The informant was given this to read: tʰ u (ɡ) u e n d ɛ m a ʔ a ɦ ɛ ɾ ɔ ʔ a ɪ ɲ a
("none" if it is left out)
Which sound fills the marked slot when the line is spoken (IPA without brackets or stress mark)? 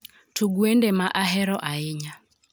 ɡ